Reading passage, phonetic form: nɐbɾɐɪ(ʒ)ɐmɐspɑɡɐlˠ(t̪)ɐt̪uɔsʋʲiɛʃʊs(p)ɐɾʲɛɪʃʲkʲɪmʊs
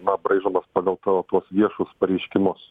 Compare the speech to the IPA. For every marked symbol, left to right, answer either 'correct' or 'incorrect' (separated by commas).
correct, correct, correct